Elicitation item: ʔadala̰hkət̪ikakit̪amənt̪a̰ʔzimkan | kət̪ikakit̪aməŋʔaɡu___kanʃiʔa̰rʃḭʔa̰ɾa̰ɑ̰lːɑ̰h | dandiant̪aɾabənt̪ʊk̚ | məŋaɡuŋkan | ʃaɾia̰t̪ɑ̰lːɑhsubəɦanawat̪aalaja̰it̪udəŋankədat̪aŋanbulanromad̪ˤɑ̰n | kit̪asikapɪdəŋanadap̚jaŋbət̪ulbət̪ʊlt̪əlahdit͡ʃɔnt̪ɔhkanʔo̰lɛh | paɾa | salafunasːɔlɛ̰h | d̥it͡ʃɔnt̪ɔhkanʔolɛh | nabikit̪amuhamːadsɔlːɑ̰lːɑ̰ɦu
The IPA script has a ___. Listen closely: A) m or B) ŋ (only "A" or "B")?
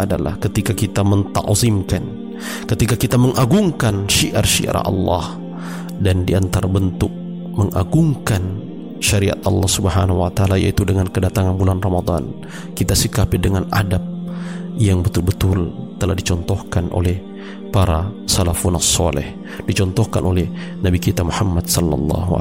B